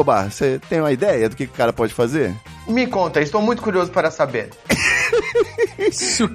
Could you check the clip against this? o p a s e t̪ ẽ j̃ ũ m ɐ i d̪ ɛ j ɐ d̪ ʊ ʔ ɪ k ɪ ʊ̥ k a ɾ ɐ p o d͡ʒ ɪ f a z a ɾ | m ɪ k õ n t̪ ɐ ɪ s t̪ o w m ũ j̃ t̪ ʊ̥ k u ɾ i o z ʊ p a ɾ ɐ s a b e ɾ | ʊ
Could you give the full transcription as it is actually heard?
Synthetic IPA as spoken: o b a s e t̪ ẽ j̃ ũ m ɐ i d̪ ɛ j ɐ d̪ ʊ k ɪ k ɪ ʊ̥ k a ɾ ɐ p ɔ d͡ʒ ɪ f a z e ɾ | m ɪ k õ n t̪ ɐ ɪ s t̪ o w m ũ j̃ t̪ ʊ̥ k u ɾ i o z ʊ p a ɾ ɐ s a b e ɾ | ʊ